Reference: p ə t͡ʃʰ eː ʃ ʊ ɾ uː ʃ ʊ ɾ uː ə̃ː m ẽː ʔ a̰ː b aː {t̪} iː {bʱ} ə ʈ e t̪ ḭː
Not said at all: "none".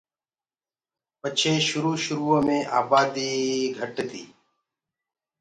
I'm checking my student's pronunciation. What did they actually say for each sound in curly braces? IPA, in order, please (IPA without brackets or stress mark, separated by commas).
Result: d̪, ɡʱ